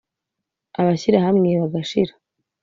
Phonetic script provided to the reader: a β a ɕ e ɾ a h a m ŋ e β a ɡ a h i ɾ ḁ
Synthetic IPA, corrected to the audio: a β a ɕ i ɾ a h a m ŋ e β a ɡ a ʃ i ɾ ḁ